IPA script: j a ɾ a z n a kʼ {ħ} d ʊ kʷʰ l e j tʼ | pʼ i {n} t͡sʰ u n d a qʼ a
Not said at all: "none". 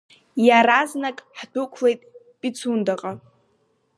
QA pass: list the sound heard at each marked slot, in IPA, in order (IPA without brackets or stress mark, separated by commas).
ħ, none